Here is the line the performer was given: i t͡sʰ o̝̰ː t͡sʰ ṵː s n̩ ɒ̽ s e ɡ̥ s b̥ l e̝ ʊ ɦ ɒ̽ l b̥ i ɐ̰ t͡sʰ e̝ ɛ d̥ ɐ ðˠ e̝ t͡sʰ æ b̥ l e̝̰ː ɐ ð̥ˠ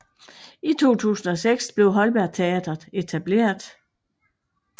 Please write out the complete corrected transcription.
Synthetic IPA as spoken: i t͡sʰ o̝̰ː t͡sʰ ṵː s n̩ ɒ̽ s e ɡ̥ s b̥ l e̝ ʊ ɦ ɒ̽ l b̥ æ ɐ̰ t͡sʰ e̝ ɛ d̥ ɐ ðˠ e̝ t͡sʰ æ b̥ l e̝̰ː ɐ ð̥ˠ